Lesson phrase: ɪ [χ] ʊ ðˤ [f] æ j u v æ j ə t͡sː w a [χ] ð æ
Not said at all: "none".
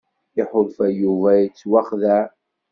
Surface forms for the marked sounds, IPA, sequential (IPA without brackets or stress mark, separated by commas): ħ, f, χ